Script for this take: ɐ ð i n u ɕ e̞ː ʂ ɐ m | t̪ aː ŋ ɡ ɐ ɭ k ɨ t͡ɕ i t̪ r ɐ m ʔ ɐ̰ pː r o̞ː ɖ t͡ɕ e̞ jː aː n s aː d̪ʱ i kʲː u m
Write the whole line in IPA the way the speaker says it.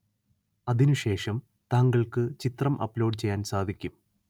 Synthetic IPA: ɐ ð i n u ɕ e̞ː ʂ ɐ m | t̪ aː ŋ ɡ ɐ ɭ k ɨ t͡ɕ i t̪ r ɐ m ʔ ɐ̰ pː l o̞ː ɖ t͡ɕ e̞ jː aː n s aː d̪ʱ i kʲː u m